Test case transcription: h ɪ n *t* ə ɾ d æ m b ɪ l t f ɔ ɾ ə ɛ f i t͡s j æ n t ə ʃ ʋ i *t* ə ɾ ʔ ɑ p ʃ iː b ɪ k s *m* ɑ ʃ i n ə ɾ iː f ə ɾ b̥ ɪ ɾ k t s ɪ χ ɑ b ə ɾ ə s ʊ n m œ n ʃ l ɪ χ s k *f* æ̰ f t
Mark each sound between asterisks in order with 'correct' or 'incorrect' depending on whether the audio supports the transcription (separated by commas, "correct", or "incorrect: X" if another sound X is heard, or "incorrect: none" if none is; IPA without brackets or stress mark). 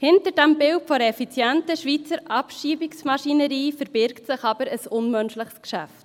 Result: correct, incorrect: t͡s, correct, incorrect: ʃ